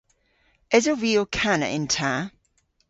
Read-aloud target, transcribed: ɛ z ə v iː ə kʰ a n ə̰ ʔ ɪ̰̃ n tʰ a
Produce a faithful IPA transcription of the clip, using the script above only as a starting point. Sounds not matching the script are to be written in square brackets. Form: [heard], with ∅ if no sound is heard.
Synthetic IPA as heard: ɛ z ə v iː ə kʰ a n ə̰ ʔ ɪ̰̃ n tʰ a